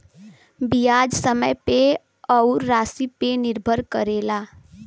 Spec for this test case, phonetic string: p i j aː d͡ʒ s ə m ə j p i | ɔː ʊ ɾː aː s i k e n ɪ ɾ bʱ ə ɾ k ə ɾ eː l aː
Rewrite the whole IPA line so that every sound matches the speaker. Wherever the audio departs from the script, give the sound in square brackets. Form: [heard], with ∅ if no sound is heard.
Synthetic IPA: [b] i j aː d͡ʒ s ə m ə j p [e] | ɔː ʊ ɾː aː s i [p] e n ɪ ɾ bʱ ə ɾ k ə ɾ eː l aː